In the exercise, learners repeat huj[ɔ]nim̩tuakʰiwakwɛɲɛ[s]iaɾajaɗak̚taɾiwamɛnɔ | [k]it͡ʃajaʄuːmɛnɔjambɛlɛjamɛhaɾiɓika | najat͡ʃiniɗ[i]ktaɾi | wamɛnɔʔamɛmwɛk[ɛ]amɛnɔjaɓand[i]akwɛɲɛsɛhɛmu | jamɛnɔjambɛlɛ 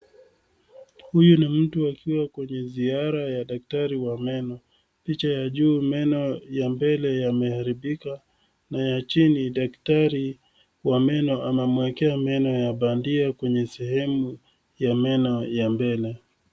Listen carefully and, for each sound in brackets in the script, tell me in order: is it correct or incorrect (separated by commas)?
incorrect, incorrect, incorrect, incorrect, correct, correct